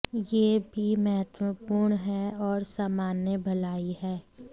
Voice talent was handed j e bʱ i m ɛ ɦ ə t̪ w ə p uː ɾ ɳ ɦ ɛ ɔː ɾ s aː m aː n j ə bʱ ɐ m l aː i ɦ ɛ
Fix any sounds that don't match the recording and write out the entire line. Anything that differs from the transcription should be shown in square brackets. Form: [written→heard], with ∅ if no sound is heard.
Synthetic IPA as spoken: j e bʱ i m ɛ ɦ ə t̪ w ə p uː ɾ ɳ ɦ ɛ ɔː ɾ s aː m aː n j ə bʱ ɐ [m→∅] l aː i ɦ [ɛ→ɛː]